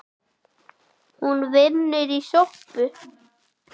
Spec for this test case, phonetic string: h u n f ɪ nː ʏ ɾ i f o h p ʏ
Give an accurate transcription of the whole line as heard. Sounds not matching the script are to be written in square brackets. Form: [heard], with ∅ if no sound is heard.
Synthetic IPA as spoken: h u n [v] ɪ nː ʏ ɾ i [s] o h p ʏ